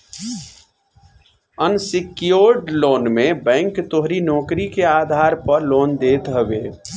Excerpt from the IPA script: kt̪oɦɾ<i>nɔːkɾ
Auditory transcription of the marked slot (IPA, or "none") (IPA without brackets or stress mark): i